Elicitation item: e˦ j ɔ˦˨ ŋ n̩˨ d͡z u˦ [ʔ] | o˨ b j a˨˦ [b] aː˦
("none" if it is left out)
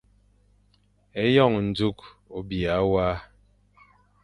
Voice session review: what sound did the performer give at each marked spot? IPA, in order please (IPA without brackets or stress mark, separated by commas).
k, w